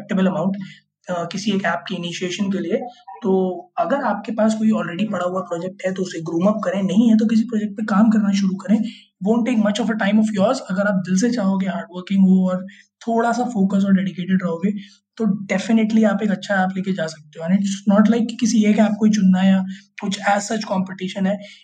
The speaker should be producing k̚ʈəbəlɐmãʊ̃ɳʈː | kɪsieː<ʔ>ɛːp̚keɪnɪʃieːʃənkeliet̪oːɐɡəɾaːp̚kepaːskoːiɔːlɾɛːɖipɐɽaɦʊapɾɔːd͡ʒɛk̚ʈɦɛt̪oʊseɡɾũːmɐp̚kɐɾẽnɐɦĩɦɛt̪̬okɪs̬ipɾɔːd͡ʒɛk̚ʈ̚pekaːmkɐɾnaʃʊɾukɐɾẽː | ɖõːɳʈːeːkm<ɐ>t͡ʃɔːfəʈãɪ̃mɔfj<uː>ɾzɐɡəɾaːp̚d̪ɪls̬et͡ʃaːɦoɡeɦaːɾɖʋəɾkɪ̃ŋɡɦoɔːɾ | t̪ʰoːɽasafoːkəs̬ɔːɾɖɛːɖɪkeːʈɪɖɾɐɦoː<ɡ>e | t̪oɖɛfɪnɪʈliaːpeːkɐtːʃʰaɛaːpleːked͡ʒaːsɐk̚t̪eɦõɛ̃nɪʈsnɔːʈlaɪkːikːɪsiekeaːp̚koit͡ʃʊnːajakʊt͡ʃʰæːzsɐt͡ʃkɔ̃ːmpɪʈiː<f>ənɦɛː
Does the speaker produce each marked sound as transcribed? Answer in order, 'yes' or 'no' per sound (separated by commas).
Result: no, yes, no, yes, no